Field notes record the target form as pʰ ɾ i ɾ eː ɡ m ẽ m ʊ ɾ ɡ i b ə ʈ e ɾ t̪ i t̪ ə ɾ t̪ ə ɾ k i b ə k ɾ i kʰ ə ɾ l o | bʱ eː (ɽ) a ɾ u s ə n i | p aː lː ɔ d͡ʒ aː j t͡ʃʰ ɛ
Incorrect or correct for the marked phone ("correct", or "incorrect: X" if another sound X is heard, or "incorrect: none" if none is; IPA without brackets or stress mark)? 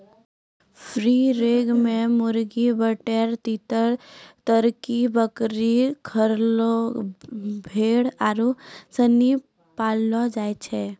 correct